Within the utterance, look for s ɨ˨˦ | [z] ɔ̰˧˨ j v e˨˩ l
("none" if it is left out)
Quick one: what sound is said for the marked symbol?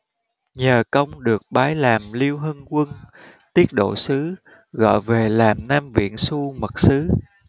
ɣ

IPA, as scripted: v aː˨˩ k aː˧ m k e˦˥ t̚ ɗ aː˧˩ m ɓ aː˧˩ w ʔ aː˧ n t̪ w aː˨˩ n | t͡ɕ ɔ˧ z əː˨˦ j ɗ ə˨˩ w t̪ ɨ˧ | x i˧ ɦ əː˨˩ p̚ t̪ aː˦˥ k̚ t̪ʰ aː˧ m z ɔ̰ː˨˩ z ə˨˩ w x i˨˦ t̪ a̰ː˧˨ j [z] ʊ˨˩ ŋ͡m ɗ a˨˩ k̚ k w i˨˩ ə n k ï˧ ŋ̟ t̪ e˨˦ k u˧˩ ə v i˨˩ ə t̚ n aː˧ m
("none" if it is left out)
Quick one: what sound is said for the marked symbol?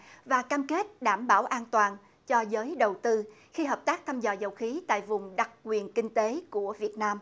v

